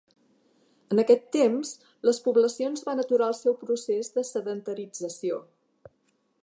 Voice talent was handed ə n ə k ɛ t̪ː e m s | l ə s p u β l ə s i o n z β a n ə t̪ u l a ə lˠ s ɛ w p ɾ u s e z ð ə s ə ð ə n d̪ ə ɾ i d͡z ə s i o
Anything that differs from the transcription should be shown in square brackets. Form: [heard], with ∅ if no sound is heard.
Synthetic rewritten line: ə n ə k ɛ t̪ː e m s | l ə s p u β l ə s i o n z β a n ə t̪ u [ɾ] a ə lˠ s ɛ w p ɾ u s e z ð ə s ə ð ə n [t̪] ə ɾ i d͡z ə s i o